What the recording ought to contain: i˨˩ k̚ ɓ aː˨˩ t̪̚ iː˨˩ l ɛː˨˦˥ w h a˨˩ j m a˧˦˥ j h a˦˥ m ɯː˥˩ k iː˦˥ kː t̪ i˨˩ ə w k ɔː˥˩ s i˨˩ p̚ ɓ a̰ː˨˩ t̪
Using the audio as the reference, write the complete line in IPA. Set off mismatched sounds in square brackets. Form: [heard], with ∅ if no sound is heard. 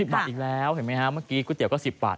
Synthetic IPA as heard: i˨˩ [p̚] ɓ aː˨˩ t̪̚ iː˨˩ l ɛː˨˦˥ w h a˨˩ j m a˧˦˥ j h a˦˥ m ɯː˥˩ k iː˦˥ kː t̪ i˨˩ ə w k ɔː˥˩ s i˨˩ p̚ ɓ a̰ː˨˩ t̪